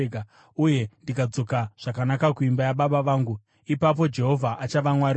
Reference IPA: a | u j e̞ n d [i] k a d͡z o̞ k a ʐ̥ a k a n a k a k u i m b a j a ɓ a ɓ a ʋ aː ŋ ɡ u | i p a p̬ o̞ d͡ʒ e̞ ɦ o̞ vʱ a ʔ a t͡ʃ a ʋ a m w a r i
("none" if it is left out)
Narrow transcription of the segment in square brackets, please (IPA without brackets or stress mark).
i